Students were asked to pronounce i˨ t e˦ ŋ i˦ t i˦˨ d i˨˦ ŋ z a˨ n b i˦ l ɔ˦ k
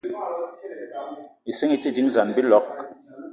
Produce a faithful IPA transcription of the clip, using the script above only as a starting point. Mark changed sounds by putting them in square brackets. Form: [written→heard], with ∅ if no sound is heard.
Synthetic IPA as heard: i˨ [t→s] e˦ ŋ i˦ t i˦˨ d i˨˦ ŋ z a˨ n b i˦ l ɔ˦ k